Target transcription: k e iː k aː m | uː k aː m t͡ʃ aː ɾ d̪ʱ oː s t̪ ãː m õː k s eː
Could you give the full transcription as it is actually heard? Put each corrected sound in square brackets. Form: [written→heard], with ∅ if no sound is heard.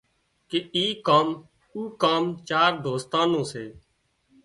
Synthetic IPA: k e iː k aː m | uː k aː m t͡ʃ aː ɾ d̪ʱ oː s t̪ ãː [m→n] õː [k→∅] s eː